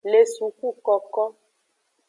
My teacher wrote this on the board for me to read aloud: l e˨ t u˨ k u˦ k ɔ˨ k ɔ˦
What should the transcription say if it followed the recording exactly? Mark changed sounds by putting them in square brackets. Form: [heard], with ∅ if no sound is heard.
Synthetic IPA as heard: l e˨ [s] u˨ k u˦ k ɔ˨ k ɔ˦